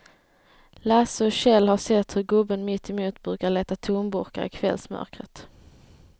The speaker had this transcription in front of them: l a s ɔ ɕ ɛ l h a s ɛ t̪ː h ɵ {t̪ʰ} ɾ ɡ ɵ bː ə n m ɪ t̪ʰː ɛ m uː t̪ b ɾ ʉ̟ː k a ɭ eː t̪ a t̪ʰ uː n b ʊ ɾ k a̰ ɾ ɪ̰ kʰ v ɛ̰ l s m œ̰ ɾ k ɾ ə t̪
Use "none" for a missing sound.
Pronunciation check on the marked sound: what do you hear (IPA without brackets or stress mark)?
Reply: none